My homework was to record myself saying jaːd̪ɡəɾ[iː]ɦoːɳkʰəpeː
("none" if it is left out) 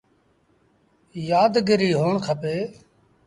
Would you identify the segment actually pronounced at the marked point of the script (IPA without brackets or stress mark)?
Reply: iː